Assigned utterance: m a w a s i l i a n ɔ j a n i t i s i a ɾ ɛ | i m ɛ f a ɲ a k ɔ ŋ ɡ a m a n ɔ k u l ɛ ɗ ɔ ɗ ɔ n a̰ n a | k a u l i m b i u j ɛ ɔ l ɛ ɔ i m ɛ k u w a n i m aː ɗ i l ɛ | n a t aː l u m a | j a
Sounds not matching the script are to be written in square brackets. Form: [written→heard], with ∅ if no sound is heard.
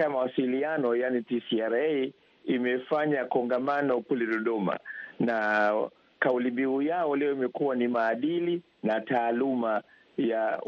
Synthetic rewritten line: m a w a s i l i a n ɔ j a n i t i s i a ɾ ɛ | i m ɛ f a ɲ a k ɔ ŋ ɡ a m a n ɔ k u l ɛ ɗ ɔ ɗ ɔ [n→m] a̰ n a | k a u l i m b i u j [ɛ→a] ɔ l ɛ ɔ i m ɛ k u w a n i m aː ɗ i l [ɛ→i] | n a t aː l u m a | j a